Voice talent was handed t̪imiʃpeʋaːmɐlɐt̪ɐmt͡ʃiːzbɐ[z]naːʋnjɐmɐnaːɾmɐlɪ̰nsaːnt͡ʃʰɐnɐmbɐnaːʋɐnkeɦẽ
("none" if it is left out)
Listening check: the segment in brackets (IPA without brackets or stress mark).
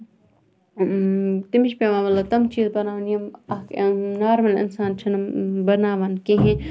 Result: none